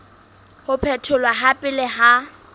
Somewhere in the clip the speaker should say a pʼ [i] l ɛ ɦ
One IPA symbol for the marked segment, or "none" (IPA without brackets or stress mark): ɪ